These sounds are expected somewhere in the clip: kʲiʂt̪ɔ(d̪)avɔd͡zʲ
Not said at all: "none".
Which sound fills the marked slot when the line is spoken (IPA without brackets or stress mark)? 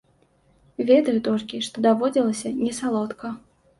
d̪